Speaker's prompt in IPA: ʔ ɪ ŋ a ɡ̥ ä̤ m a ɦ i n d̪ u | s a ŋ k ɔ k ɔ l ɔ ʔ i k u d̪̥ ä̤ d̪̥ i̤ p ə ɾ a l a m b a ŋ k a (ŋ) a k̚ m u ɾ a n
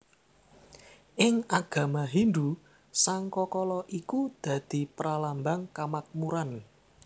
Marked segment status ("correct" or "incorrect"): incorrect